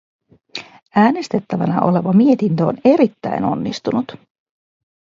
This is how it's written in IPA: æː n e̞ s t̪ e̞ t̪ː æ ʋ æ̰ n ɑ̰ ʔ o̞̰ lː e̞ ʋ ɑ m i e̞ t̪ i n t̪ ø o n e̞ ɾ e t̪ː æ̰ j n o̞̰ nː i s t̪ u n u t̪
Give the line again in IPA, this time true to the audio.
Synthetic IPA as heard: æː n e̞ s t̪ e̞ t̪ː æ ʋ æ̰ n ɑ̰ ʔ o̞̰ l e̞ ʋ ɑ m i e̞ t̪ i n t̪ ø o n e̞ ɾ i t̪ː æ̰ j n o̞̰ nː i s t̪ u n u t̪

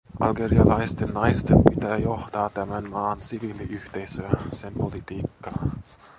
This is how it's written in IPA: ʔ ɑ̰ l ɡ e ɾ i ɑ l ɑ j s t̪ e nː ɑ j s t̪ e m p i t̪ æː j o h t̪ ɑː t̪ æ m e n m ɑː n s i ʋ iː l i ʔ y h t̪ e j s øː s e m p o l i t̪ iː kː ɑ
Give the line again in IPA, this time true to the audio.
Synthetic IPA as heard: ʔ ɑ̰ l ɡ e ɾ i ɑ l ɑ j s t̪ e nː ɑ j s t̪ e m p i t̪ æː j o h t̪ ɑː t̪ æ m æ n m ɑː n s i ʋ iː l i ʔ y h t̪ e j s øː s e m p o l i t̪ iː kː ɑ

